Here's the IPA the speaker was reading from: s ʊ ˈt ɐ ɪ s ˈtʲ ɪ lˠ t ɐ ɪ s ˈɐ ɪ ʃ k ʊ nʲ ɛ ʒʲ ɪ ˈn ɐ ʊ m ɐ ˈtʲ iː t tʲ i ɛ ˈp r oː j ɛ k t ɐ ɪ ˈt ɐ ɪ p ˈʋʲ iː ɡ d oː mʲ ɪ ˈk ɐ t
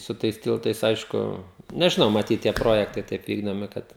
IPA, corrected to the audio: s ʊ ˈt ɐ ɪ s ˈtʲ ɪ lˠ t ɐ ɪ s ˈɐ ɪ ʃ k ʊ nʲ ɛ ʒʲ ɪ ˈn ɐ ʊ m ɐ ˈtʲ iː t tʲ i ɛ ˈp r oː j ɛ k t ɐ ɪ ˈt ɐ ɪ p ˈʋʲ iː ɡ d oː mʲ ɪ ˈk ɐ t